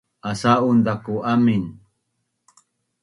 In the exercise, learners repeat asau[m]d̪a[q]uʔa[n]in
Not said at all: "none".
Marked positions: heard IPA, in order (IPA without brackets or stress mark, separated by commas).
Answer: n, k, m